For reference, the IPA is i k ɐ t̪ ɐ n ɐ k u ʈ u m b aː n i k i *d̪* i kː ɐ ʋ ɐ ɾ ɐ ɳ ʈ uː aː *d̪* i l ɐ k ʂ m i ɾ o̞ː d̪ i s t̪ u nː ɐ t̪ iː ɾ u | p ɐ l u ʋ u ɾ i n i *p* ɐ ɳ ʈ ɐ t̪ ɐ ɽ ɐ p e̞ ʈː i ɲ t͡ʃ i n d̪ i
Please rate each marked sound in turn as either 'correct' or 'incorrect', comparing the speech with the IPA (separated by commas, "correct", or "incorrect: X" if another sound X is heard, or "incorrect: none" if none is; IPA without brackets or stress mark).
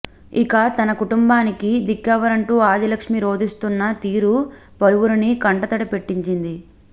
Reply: correct, correct, incorrect: k